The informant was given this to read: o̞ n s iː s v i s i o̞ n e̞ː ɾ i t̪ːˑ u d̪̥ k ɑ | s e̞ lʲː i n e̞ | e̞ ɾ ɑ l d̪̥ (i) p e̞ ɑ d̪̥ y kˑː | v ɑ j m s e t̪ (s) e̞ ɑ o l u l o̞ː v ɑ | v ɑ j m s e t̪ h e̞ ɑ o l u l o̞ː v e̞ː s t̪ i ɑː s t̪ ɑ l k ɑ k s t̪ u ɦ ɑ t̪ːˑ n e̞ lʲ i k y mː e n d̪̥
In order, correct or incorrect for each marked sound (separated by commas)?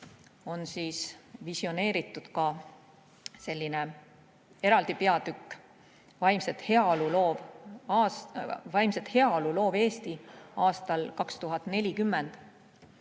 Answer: correct, incorrect